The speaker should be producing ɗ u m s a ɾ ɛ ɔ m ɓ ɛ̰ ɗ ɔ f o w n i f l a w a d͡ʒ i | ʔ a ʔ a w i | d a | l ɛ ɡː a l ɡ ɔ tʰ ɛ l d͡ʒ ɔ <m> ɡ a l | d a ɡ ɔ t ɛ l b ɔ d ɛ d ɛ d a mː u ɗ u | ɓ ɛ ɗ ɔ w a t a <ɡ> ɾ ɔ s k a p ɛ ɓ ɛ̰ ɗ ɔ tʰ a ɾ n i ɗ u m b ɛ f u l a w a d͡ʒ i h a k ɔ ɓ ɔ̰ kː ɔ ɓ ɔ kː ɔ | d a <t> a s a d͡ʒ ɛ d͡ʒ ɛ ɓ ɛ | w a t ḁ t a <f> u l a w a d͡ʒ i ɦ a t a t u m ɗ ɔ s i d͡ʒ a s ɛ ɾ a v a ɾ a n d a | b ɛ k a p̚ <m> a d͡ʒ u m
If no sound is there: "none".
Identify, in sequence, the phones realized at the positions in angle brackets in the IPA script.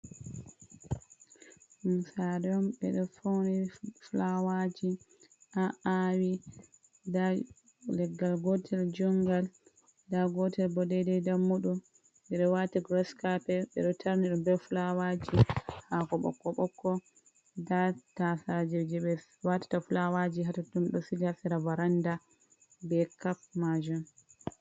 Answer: ŋ, ɡ, t, f, m

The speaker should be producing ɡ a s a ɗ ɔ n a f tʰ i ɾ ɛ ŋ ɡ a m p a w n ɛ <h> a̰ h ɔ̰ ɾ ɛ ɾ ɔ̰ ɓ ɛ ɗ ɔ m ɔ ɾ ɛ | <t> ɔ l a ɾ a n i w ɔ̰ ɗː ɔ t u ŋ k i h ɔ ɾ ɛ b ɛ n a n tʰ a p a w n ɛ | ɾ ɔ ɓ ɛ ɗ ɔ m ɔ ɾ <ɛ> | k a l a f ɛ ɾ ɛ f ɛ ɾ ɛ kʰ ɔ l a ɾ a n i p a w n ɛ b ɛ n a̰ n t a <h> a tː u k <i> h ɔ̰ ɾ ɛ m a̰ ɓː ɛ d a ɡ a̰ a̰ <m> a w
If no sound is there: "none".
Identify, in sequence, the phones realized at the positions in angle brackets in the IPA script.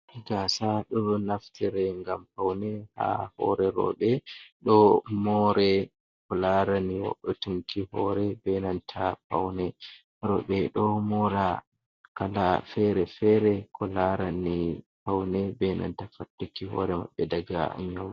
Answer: h, k, a, f, i, ɲ

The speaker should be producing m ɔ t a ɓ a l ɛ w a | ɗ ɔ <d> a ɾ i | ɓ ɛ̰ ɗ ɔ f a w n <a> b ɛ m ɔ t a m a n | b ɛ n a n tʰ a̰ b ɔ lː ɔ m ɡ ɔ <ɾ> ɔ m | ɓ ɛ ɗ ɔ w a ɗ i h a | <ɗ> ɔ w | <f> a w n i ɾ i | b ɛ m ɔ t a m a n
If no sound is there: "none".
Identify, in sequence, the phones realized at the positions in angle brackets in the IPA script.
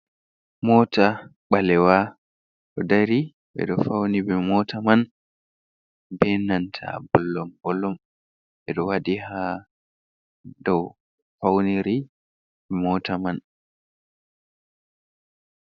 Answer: d, i, l, d, f

